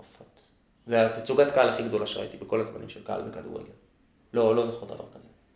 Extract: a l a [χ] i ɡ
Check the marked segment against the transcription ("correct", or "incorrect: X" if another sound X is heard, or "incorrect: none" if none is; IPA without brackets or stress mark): correct